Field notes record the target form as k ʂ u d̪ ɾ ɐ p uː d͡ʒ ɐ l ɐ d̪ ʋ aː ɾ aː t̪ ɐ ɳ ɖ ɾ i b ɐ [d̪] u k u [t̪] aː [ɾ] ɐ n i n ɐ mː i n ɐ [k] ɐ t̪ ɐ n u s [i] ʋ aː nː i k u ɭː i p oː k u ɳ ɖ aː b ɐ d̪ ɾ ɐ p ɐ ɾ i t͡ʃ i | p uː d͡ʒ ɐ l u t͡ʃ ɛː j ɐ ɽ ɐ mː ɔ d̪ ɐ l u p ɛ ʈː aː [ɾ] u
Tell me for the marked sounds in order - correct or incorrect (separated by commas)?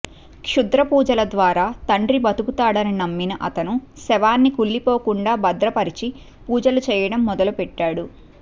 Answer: incorrect, correct, incorrect, incorrect, incorrect, incorrect